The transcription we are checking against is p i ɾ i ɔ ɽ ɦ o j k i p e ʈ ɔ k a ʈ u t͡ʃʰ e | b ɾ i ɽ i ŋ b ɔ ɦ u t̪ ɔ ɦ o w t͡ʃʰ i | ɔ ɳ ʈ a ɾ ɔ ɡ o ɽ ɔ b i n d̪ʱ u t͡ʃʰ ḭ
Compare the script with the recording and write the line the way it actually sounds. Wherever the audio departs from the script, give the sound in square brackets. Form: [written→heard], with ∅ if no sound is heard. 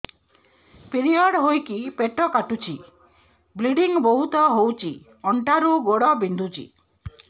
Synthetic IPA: p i ɾ i ɔ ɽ ɦ o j k i p e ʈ ɔ k a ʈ u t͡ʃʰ [e→i] | b [ɾ→l] i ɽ i ŋ b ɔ ɦ u t̪ ɔ ɦ o w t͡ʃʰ i | ɔ ɳ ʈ a ɾ [ɔ→u] ɡ o ɽ ɔ b i n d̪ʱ u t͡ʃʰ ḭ